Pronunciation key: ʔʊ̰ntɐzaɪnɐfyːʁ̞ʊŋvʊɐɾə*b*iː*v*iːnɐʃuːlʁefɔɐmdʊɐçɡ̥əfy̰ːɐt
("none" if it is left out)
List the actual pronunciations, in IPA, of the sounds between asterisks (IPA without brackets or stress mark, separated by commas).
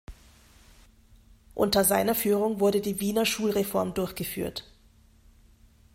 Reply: d, v